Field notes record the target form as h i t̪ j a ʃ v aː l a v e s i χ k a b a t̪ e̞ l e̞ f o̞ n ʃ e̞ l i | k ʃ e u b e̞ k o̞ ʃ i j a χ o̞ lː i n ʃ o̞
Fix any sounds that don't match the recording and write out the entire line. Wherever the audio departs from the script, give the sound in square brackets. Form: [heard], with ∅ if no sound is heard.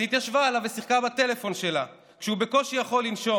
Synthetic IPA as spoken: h i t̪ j a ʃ v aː l a v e s i χ k a b a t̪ e̞ l e̞ f o̞ n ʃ e̞ l [a] | k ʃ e u b e̞ k o̞ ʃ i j a χ o̞ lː i n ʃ o̞